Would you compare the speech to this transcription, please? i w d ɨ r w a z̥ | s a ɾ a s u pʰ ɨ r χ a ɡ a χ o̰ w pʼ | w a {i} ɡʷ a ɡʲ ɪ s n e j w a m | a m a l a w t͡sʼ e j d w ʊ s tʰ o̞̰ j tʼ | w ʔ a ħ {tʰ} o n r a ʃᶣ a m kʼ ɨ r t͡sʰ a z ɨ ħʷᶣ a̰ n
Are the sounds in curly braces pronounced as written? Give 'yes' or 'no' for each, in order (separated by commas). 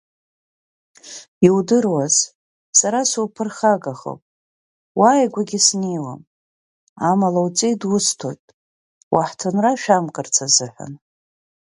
no, yes